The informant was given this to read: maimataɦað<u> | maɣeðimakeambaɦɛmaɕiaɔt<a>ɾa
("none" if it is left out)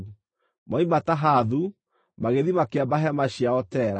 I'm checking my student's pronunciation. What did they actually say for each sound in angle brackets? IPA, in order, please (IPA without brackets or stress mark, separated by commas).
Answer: u, ɛ